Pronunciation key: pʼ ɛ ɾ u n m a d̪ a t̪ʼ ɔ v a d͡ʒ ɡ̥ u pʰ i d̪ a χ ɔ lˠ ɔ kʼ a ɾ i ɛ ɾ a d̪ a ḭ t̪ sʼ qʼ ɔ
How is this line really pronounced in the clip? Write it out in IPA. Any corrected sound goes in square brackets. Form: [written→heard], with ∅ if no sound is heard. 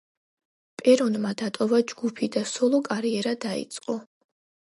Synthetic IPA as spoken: pʼ ɛ ɾ [u→ɔ] n m a d̪ a t̪ʼ ɔ v a d͡ʒ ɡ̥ u pʰ i d̪ a [χ→s] ɔ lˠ ɔ kʼ a ɾ i ɛ ɾ a d̪ a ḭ t̪ sʼ qʼ ɔ